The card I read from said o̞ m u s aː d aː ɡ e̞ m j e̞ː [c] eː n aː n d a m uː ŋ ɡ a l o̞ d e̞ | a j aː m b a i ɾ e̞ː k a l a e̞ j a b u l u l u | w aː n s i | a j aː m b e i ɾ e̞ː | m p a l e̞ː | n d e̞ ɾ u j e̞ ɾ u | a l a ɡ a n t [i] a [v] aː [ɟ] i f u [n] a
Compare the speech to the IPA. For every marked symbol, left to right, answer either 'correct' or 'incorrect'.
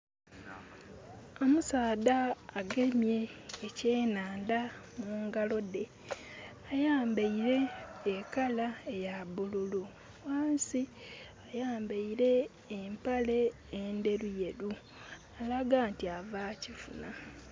correct, correct, correct, incorrect, correct

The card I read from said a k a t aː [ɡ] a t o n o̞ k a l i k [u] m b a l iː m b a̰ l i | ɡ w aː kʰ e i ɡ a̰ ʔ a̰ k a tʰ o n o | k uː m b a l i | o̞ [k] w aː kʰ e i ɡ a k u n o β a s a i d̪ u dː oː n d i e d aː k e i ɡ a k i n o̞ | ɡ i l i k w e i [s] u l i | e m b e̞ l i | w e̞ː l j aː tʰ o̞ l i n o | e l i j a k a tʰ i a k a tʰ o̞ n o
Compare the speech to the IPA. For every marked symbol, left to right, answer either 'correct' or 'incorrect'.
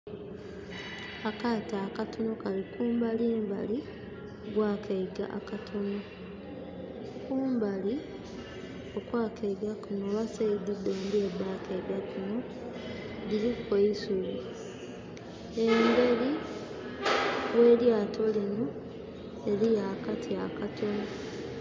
incorrect, incorrect, correct, correct

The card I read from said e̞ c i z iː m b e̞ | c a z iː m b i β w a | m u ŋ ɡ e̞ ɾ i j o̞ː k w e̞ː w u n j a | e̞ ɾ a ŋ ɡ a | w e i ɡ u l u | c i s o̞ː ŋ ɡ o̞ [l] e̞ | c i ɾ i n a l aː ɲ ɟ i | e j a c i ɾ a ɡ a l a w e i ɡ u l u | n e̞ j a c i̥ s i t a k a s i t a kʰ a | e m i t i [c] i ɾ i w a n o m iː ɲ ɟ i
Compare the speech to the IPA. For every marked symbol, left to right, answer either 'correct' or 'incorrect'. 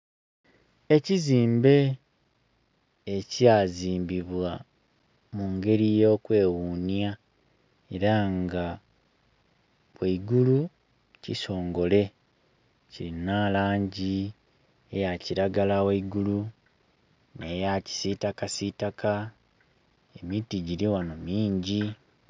correct, incorrect

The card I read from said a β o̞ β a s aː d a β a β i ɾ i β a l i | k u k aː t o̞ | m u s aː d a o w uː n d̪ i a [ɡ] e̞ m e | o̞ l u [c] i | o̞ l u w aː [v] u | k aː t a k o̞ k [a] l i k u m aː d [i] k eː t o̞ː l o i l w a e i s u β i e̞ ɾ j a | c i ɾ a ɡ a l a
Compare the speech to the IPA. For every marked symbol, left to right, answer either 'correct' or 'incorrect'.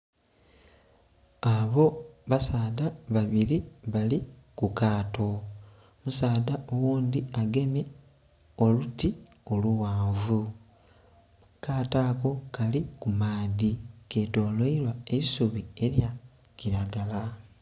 correct, incorrect, correct, correct, correct

